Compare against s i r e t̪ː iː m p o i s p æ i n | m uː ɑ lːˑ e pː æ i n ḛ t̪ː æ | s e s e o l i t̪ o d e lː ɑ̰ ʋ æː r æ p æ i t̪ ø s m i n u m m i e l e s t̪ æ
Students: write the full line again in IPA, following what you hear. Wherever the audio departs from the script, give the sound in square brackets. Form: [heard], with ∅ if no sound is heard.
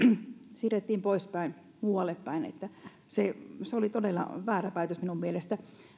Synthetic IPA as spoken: s i r e t̪ː iː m p o i s p æ i n | m uː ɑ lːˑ e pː æ i n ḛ t̪ː æ | s e s e o l i t̪ o d e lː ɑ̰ ʋ æː r æ p æ i t̪ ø s m i n u m m i e l e s t̪ æ